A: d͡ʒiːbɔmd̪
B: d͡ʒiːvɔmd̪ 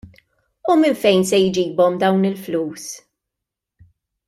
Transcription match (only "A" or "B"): A